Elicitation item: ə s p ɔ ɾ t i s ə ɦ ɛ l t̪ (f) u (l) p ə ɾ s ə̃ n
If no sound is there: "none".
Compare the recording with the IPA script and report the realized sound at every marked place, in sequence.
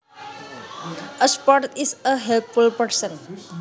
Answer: f, l

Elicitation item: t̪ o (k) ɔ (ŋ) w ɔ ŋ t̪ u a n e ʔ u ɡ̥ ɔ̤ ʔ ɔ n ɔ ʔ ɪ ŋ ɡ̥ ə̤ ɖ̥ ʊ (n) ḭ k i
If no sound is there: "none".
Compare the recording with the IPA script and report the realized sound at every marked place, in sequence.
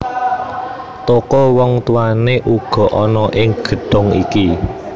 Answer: k, none, ŋ

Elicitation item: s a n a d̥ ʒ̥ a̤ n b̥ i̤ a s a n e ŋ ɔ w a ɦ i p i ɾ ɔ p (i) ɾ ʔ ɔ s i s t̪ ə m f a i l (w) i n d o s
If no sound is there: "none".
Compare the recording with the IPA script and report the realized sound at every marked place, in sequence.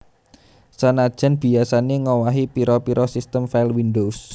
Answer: i, w

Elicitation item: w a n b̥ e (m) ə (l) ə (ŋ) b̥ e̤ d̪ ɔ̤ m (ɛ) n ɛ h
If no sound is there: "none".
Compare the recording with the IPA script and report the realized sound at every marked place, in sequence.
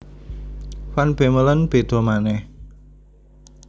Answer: m, l, n, a

